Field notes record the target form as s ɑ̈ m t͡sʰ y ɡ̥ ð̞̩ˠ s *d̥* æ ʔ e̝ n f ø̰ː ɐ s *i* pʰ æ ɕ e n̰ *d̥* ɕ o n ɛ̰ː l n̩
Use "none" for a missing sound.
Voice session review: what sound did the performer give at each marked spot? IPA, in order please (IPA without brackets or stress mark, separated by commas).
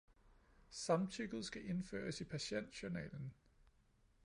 ɡ̥, i, d̥